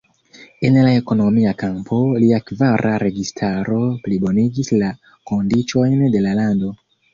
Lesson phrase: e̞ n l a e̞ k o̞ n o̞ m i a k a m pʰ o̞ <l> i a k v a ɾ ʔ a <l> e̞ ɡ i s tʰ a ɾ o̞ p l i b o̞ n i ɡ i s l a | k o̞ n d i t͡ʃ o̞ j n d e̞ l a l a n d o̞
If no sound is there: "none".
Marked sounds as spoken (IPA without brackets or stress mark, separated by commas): l, ɾ